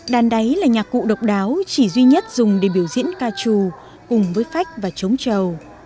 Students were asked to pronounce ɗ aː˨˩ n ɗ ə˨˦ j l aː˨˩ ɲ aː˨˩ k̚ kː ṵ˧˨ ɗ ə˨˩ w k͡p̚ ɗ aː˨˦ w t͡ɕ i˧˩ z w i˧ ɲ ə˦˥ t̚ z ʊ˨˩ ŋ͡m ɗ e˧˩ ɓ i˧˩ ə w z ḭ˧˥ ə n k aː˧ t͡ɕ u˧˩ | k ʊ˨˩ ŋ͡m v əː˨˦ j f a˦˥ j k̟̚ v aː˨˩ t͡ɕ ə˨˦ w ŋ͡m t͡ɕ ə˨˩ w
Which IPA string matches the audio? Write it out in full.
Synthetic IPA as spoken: ɗ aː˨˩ n ɗ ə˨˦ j l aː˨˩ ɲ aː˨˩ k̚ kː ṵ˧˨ ɗ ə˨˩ w k͡p̚ ɗ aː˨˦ w t͡ɕ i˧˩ z w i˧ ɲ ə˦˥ t̚ z ʊ˨˩ ŋ͡m ɗ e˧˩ ɓ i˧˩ ə w z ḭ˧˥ ə n k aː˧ t͡ɕ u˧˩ | k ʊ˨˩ ŋ͡m v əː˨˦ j f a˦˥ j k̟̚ v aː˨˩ t͡ɕ ə˨˦ w ŋ͡m t͡ɕ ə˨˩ w